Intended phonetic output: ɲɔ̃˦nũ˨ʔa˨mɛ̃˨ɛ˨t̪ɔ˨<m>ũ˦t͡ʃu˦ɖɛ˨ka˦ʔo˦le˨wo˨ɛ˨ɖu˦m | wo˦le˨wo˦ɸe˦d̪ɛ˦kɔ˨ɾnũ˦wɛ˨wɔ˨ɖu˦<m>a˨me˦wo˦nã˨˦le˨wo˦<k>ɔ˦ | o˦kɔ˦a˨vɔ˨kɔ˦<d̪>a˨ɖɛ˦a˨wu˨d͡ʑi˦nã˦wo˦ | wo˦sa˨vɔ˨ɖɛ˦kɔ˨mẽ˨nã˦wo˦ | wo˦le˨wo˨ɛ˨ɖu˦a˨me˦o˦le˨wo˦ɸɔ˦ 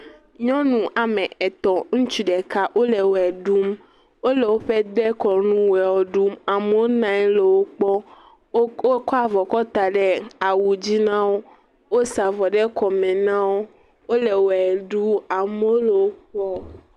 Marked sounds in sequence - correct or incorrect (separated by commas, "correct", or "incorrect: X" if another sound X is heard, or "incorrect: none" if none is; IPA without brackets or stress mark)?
incorrect: ŋ, correct, incorrect: k͡p, incorrect: t̪